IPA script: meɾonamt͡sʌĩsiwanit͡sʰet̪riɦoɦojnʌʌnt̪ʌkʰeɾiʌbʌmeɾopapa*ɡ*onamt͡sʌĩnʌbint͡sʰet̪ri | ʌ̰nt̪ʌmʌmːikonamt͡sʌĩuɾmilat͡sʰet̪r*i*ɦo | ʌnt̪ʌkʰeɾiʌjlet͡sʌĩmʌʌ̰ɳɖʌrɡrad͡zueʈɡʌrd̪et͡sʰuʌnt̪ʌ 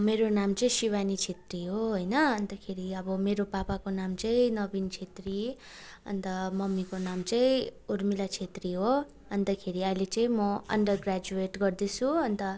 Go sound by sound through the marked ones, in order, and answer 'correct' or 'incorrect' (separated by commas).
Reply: incorrect, correct